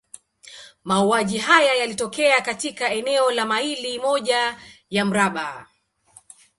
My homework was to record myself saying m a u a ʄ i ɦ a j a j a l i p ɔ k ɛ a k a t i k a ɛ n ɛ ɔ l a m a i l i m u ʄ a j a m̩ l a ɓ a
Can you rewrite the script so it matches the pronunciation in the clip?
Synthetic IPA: m a u a ʄ i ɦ a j a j a l i t ɔ k ɛ a k a t i k a ɛ n ɛ ɔ l a m a i l i m ɔ ʄ a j a m̩ ɾ a ɓ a